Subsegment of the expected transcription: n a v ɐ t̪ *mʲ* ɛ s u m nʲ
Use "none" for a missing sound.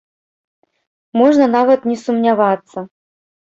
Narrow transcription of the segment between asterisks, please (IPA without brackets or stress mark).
nʲ